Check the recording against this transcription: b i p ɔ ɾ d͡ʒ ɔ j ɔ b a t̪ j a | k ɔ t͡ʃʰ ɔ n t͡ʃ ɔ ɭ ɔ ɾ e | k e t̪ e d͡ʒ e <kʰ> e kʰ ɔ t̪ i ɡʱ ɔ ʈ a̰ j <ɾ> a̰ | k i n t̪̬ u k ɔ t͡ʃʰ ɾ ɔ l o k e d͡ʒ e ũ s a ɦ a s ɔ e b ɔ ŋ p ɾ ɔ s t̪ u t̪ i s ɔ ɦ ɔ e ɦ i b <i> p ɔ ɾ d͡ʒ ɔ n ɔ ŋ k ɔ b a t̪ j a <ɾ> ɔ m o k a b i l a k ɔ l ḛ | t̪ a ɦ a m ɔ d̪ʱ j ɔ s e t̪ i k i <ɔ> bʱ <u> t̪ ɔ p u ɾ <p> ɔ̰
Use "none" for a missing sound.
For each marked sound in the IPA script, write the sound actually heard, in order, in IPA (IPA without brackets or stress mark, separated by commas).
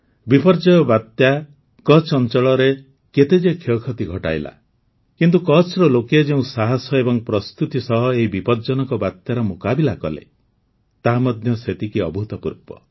kʰ, l, i, ɾ, ɔ, u, p